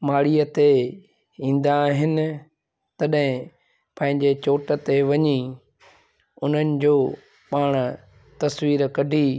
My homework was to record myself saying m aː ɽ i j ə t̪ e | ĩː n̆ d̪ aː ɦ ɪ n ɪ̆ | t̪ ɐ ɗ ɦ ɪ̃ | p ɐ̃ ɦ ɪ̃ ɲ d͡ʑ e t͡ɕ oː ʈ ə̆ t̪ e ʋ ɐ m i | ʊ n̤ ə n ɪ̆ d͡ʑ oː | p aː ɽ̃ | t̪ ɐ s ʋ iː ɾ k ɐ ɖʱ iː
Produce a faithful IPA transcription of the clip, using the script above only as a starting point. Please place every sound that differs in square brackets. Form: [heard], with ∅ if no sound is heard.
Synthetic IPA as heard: m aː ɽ i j ə t̪ e | ĩː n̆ d̪ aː ɦ ɪ n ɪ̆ | t̪ ɐ ɗ ɦ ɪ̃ | p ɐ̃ ɦ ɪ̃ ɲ d͡ʑ e t͡ɕ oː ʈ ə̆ t̪ e ʋ ɐ [ɲ] i | ʊ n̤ ə n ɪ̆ d͡ʑ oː | p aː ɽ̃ | t̪ ɐ s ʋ iː ɾ k ɐ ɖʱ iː